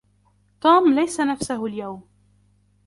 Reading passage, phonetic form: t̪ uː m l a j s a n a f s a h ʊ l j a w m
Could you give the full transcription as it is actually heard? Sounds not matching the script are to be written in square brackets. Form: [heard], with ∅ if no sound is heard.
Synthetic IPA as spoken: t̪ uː m l a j s a n a f s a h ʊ l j a w m